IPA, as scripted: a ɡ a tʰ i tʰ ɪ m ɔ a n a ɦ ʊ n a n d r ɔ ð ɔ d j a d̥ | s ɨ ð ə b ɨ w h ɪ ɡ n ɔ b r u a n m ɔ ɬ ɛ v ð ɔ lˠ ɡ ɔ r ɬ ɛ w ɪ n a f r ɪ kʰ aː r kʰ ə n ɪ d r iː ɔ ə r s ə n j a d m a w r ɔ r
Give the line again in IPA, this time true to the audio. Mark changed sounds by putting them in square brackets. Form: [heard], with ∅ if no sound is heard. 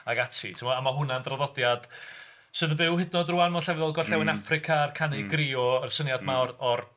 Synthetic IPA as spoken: a ɡ a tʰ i tʰ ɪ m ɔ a [m] a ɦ ʊ n a n d r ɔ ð ɔ d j a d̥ | s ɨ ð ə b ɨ w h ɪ [d] n ɔ [d] r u a n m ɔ ɬ ɛ v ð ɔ lˠ ɡ ɔ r ɬ ɛ w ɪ n a f r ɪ kʰ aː r kʰ [a] n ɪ [ɡ] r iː ɔ ə r s ə n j a d m a w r ɔ r

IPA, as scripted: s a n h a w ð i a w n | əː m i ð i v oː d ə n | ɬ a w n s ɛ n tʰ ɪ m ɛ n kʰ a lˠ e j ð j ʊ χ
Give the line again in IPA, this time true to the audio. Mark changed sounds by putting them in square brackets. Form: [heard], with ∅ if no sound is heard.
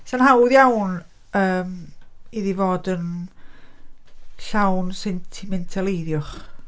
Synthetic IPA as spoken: s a n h a w ð [j] a w n | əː m i ð i v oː d ə n | ɬ a w n s ɛ n tʰ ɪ m ɛ n [tʰ] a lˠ e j ð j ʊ χ

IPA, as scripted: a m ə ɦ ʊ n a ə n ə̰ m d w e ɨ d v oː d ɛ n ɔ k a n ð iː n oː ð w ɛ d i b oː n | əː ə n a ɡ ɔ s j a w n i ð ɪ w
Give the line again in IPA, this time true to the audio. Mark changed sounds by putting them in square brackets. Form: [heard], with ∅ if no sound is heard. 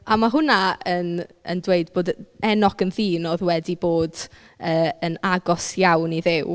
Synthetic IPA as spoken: a m [a] ɦ ʊ n a ə n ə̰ [n] d w e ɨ d [b] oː d ɛ n ɔ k [ə] n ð iː n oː ð w ɛ d i b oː [d] | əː ə n a ɡ ɔ s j a w n i ð ɪ w

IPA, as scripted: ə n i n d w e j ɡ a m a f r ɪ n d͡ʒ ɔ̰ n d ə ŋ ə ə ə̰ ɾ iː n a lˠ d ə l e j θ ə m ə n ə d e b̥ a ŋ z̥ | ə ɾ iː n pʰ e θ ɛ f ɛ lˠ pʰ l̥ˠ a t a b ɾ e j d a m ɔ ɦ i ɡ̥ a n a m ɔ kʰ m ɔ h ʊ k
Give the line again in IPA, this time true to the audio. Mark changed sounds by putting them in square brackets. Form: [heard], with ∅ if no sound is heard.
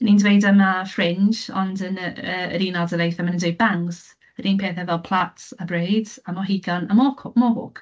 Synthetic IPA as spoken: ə n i n d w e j [d] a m a f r ɪ n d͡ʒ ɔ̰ n d ə [n] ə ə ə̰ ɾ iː n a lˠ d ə l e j θ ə m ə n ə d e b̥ a ŋ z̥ | ə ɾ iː n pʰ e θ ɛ [v] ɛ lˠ pʰ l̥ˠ a t a b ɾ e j d a m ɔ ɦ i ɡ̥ a n a m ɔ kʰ m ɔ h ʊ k

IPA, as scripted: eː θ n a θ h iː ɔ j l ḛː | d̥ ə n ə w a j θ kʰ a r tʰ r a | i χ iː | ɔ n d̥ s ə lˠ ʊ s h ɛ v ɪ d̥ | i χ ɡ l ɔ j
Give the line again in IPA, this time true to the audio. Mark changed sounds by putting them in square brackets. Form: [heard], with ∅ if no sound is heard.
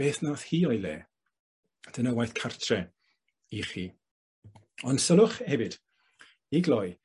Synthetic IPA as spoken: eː θ n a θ h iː ɔ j l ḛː | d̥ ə n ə w a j θ kʰ a r tʰ r [ɛ] | i χ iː | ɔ n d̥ s ə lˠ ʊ [χ] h ɛ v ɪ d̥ | i [∅] ɡ l ɔ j

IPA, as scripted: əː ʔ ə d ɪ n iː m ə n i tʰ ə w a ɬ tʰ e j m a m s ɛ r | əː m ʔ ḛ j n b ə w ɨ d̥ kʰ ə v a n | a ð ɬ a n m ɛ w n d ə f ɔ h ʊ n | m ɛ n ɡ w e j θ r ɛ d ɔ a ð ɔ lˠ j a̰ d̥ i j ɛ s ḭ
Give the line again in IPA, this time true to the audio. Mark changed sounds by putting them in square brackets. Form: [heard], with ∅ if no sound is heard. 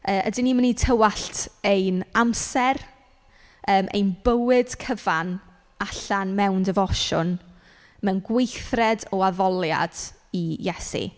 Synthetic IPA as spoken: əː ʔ ə d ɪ n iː m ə n i tʰ ə w a ɬ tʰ e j [n] a m s ɛ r | əː m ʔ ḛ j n b ə w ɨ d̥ kʰ ə v a n | a [∅] ɬ a n m ɛ w n d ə [v] ɔ [ʃ] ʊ n | m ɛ n ɡ w e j θ r ɛ d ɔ a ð ɔ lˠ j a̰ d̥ i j ɛ s ḭ

